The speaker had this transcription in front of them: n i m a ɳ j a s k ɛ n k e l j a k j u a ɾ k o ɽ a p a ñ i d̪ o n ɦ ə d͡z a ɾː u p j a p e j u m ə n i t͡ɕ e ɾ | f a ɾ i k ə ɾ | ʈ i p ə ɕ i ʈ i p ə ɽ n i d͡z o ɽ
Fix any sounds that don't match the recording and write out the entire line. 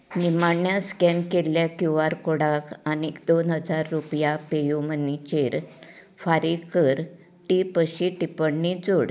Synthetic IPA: n i m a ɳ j a s k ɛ n k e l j a k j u a ɾ k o ɽ a k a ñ i d̪ o n ɦ ə d͡z a ɾː u p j a p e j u m ə n i t͡ɕ e ɾ | f a ɾ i k ə ɾ | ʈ i p ə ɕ i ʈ i p ə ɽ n i d͡z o ɽ